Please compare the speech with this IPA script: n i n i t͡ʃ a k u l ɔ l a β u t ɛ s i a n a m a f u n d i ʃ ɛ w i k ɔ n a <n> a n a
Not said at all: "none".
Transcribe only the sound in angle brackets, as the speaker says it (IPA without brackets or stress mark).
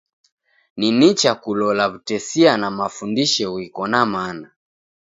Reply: m